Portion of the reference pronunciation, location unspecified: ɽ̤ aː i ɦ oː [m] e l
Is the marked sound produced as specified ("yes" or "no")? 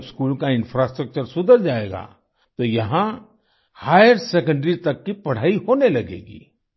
no